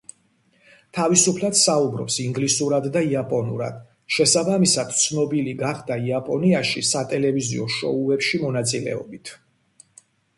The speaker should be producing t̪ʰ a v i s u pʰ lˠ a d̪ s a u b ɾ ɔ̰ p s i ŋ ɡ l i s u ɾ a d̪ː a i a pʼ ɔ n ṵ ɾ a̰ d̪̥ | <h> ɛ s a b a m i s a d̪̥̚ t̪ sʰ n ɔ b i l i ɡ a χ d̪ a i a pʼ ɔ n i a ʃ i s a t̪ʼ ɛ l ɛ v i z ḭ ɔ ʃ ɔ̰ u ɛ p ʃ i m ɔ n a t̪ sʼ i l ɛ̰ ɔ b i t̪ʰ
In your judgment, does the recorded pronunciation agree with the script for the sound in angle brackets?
no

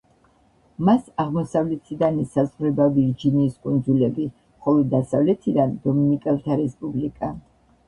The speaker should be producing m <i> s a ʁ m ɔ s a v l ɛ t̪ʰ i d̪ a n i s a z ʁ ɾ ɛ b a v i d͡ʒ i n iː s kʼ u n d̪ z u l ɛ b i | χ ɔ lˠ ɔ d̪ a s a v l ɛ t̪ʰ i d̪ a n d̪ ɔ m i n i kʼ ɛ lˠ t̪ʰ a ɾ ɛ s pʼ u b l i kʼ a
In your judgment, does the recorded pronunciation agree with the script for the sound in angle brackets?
no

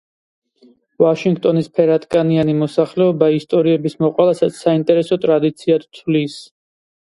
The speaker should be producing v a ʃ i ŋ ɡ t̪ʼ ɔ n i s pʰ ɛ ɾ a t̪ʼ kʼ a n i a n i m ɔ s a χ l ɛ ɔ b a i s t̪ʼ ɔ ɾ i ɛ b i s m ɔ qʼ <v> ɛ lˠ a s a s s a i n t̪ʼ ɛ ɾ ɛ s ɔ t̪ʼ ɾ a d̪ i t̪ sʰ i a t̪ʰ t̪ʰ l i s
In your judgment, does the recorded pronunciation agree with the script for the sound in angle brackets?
no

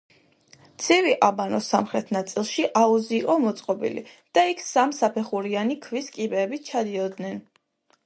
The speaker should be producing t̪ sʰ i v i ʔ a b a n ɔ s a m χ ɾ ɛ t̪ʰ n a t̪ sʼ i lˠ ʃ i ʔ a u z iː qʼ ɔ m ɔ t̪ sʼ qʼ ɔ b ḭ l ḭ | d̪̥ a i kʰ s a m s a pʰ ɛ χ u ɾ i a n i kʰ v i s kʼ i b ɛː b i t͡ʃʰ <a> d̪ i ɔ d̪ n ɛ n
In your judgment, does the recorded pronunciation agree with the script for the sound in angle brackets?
yes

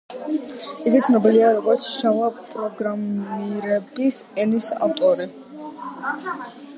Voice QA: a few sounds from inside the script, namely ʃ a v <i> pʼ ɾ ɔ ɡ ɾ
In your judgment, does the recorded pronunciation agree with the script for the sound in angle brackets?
no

